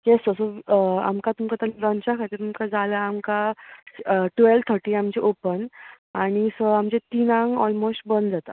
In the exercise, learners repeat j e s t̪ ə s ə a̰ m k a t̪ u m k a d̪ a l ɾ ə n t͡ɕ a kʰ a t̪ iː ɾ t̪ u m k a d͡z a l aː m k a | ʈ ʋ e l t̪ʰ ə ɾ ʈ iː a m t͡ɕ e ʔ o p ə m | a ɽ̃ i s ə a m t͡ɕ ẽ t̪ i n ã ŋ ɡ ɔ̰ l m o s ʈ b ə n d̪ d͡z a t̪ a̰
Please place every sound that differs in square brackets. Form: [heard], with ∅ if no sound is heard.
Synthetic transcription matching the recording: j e s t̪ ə s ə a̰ m k a t̪ u m k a [t̪] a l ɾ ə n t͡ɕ a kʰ a t̪ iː ɾ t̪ u m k a d͡z a l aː m k a | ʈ ʋ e l t̪ʰ ə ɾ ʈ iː a m t͡ɕ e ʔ o p ə [n] | a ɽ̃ i s ə a m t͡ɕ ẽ t̪ i n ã ŋ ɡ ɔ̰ l m o s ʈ b ə n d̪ d͡z a t̪ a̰